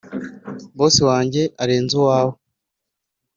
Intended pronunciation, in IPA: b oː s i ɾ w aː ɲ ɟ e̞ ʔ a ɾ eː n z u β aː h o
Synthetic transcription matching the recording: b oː s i w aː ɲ ɟ e̞ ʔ a ɾ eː n z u w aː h o